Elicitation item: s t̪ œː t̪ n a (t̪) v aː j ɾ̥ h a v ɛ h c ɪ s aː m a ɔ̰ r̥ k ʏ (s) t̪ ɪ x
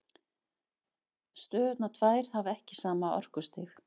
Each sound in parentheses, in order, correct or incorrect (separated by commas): incorrect, correct